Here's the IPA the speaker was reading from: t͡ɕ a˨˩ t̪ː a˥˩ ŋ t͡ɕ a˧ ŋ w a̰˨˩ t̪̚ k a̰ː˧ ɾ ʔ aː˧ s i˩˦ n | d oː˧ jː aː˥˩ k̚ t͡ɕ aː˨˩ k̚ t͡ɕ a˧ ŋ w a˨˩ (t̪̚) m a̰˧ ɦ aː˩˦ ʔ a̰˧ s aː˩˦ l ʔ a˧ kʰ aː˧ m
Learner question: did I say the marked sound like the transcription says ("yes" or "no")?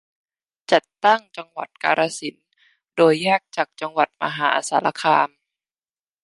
yes